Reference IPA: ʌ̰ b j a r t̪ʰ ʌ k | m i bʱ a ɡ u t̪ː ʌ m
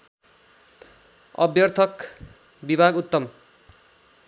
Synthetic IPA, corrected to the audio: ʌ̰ b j ʌ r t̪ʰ ʌ k | b i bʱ a ɡ u t̪ː ʌ m